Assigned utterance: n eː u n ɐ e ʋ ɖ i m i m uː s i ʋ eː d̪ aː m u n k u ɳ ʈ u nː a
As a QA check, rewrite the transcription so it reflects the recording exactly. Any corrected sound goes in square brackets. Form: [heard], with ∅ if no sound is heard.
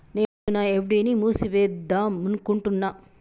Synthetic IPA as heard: n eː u n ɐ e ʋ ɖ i [n] i m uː s i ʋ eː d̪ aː m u n k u ɳ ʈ u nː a